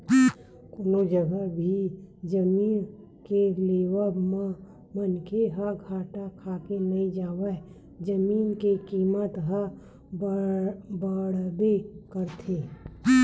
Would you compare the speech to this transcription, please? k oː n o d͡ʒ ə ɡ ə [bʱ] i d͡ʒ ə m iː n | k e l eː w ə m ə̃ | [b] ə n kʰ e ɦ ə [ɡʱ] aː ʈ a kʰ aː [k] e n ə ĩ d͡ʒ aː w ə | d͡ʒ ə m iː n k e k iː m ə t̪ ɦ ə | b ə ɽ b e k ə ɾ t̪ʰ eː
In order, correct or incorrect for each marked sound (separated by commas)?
correct, incorrect, correct, correct